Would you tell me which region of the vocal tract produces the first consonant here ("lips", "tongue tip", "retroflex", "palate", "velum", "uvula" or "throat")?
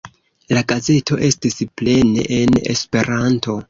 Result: tongue tip